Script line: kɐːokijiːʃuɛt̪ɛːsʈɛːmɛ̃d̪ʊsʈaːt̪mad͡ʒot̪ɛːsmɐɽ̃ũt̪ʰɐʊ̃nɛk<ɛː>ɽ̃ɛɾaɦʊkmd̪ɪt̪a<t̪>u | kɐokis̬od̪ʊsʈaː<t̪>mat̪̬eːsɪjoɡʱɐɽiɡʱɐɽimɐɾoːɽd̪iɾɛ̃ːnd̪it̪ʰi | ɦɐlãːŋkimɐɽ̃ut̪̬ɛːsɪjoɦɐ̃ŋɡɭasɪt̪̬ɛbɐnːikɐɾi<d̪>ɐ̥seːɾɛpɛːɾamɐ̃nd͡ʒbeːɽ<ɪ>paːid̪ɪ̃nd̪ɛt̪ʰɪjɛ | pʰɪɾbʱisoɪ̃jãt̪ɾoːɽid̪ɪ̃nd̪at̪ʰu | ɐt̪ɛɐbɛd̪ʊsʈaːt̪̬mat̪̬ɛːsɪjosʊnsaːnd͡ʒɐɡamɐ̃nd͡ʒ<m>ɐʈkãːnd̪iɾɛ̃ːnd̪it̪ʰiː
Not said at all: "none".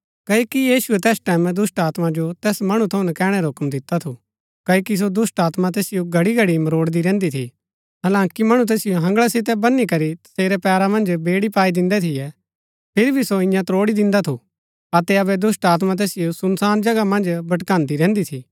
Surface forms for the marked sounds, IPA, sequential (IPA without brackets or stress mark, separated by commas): ɛː, t̪ʰ, t̪, t̪, i, b